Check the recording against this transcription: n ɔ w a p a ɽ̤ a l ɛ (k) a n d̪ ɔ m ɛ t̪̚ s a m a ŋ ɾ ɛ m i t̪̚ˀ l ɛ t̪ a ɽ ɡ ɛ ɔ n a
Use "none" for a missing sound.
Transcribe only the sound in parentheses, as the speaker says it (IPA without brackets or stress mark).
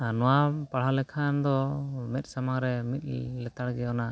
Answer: kʰ